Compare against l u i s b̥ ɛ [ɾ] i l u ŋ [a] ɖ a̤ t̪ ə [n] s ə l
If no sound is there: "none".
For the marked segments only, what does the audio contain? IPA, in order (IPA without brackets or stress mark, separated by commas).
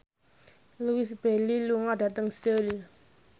l, a, ŋ